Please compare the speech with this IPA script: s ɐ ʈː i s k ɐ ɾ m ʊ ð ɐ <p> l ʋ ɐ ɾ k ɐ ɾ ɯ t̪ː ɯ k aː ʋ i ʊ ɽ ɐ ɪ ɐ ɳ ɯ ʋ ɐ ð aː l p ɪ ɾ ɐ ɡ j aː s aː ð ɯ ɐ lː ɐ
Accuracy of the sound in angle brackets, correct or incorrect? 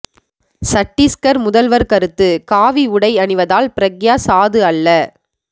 incorrect